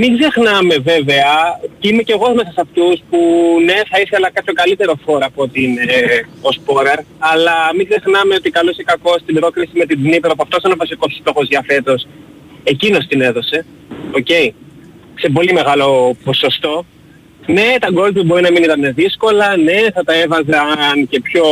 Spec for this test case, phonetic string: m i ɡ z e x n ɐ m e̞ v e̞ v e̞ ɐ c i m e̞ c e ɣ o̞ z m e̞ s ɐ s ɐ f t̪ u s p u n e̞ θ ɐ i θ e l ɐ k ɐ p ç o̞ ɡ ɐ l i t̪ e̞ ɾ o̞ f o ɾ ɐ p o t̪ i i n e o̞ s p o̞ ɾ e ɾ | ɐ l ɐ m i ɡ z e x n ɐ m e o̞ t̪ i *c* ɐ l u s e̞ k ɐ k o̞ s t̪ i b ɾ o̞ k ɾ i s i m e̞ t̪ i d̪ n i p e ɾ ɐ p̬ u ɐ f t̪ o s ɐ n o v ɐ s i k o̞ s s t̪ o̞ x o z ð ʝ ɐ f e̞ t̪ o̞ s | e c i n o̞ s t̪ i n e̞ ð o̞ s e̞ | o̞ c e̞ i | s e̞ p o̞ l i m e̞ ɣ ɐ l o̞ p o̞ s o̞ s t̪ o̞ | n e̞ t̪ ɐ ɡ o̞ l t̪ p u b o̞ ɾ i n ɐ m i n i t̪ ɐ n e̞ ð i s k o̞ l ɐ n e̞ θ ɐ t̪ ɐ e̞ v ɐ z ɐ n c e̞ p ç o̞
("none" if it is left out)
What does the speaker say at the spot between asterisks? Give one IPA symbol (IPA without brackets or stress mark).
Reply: k